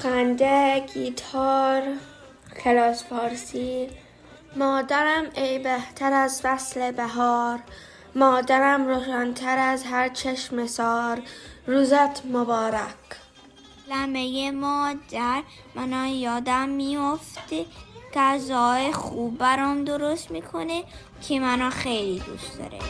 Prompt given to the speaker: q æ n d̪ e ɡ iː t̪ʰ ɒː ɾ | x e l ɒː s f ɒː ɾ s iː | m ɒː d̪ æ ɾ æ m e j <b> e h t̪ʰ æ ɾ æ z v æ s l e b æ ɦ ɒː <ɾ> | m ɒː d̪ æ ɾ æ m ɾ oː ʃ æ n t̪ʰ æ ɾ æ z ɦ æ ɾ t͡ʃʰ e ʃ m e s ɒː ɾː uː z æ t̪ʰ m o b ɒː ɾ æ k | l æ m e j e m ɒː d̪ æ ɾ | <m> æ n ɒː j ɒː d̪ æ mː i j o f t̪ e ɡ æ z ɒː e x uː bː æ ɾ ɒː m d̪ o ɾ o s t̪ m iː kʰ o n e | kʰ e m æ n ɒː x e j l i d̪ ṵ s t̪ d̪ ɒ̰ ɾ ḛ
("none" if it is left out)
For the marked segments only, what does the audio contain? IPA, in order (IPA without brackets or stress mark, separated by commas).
b, ɾ, m